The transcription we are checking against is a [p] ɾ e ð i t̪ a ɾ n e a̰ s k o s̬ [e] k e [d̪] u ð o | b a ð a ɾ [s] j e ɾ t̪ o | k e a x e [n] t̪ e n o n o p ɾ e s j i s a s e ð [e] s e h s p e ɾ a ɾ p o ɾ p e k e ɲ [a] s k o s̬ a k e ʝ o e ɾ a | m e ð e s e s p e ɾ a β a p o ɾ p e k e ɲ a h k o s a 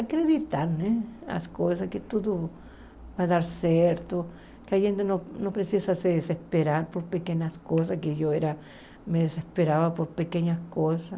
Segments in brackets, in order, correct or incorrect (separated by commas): incorrect, incorrect, incorrect, correct, correct, correct, correct